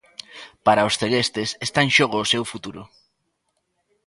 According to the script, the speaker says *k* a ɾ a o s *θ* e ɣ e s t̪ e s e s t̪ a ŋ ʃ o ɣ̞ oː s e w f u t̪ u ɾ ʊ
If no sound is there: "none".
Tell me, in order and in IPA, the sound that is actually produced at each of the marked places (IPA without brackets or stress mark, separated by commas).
p, θ